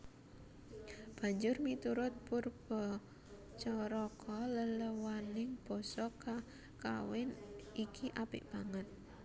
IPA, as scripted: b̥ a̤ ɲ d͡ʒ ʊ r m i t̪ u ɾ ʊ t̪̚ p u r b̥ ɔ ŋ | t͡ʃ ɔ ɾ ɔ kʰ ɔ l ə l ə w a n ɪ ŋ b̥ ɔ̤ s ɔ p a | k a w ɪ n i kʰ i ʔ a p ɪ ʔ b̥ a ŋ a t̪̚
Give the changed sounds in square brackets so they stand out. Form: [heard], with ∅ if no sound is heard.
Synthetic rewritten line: b̥ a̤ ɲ d͡ʒ ʊ r m i t̪ u ɾ ʊ t̪̚ p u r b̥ ɔ [∅] | t͡ʃ ɔ ɾ ɔ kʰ ɔ l ə l ə w a n ɪ ŋ b̥ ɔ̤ s ɔ [k] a | k a w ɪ n i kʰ i ʔ a p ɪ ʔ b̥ a ŋ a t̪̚